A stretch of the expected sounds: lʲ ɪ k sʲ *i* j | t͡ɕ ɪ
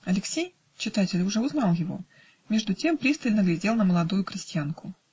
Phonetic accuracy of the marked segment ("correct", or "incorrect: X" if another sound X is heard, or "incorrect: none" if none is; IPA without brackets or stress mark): incorrect: e